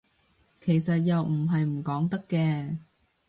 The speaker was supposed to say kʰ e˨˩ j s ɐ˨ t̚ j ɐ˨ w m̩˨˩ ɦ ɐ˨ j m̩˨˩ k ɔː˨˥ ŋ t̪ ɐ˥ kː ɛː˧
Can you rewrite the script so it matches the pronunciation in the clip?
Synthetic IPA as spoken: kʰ e˨˩ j s ɐ˨ t̚ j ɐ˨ w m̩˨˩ ɦ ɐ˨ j m̩˨˩ k ɔː˨˥ ŋ t̪ ɐ˥ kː ɛː˧